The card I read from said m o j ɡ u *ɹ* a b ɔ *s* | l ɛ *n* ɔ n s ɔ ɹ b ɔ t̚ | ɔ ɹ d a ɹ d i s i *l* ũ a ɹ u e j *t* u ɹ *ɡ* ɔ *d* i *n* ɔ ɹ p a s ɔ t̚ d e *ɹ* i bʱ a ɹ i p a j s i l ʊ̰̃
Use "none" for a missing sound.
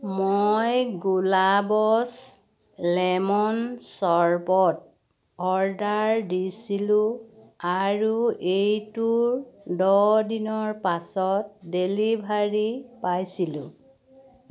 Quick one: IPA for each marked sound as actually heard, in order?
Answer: l, s, m, l, t, d, d, n, l

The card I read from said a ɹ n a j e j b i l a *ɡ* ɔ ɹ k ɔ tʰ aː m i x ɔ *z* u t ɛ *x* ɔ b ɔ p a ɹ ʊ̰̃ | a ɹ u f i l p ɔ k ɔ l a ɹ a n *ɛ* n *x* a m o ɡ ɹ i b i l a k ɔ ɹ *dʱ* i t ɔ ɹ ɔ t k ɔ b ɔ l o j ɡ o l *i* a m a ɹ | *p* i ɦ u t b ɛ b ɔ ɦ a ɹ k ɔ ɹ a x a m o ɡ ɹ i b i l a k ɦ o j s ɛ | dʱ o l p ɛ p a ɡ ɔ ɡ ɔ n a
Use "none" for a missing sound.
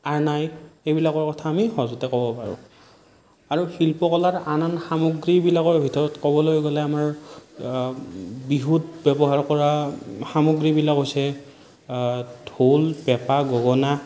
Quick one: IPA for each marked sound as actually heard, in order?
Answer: k, z, k, a, x, bʱ, ɛ, b

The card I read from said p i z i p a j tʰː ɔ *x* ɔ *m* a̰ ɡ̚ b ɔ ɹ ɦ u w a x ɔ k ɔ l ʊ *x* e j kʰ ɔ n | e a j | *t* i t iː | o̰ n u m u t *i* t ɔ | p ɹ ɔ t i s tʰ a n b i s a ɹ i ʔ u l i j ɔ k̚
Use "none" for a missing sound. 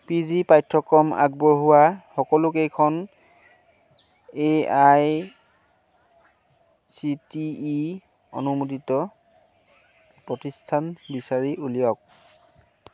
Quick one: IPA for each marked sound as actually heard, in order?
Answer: k, m, k, s, i

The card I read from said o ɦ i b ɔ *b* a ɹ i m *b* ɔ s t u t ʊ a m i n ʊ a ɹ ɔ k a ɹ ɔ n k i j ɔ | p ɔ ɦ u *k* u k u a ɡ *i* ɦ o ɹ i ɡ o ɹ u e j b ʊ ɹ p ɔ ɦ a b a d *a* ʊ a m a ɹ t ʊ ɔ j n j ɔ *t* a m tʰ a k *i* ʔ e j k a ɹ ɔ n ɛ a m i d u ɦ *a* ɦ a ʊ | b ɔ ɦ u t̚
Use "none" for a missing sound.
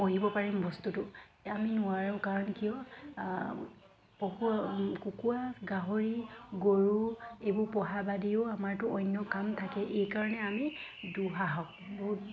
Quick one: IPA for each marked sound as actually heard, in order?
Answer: p, b, k, a, i, k, ɛ, a

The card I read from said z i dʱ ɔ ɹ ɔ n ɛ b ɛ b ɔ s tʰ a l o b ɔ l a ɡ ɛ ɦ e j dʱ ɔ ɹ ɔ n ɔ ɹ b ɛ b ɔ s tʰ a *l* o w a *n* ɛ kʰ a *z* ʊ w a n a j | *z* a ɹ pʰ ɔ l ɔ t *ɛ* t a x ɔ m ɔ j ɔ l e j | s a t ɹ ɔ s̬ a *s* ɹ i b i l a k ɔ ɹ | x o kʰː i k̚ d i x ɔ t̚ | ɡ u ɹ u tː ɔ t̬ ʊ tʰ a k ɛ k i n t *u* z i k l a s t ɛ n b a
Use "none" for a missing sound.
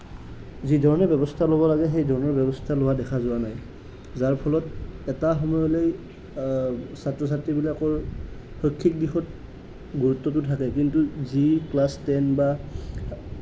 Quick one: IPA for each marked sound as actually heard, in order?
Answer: l, d, z, z, ɛ, t, u

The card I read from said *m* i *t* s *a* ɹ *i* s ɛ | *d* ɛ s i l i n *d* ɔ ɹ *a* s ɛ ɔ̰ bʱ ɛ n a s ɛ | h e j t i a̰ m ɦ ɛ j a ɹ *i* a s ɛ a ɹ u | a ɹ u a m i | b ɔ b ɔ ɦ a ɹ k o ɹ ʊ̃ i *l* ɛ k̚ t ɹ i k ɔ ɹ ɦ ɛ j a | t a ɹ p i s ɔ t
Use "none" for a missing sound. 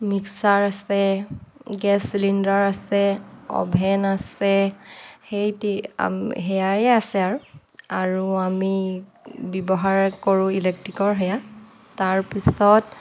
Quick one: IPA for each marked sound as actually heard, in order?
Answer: m, k, a, a, ɡ, d, a, ɛ, l

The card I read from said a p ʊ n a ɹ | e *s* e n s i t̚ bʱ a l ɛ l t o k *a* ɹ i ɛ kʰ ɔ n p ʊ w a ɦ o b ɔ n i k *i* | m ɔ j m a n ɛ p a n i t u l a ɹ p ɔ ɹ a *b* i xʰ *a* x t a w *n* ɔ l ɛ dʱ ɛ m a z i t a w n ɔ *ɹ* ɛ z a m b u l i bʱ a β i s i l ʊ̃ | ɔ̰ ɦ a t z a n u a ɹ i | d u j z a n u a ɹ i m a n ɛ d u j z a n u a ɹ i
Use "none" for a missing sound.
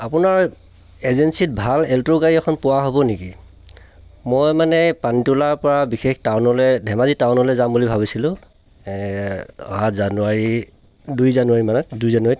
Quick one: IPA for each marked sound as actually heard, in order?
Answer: z, a, i, b, e, n, l

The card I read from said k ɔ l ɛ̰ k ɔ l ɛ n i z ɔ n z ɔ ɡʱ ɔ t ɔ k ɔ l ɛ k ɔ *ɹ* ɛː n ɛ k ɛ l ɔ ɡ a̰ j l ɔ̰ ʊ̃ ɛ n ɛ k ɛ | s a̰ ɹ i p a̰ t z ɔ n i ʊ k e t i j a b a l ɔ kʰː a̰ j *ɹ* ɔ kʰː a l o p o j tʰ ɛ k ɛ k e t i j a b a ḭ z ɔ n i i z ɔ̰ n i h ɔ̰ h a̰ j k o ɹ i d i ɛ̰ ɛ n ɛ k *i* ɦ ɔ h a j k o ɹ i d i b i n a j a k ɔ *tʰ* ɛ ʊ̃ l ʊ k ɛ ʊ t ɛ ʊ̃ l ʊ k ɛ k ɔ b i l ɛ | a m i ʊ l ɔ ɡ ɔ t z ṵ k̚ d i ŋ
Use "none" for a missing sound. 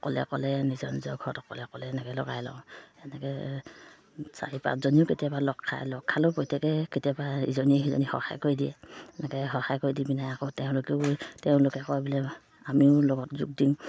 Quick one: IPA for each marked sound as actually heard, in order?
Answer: l, l, ɛ, t

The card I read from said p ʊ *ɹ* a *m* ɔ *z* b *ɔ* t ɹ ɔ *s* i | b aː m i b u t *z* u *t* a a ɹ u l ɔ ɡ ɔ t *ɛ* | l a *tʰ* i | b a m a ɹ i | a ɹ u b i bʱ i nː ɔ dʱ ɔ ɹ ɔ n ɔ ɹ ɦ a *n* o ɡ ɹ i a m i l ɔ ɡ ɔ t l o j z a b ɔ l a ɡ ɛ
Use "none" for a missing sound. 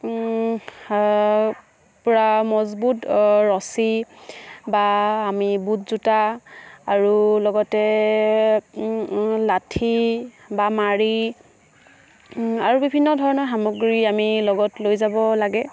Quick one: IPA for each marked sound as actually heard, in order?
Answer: ɹ, m, z, u, s, z, t, ɛ, tʰ, m

